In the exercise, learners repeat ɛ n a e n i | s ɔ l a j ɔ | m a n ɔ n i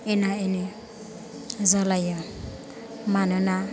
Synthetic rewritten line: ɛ n a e n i | z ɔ l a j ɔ | m a n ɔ n a